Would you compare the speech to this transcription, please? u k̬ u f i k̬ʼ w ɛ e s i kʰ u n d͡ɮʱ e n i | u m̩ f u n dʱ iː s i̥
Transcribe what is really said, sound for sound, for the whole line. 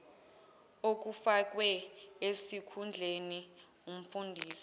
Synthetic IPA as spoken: o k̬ u f a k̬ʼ w ɛ e s i kʰ u n d͡ɮʱ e n i | u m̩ f u n dʱ iː s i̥